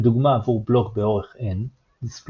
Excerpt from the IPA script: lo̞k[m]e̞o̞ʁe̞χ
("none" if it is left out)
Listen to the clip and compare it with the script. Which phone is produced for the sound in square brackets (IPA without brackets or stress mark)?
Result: b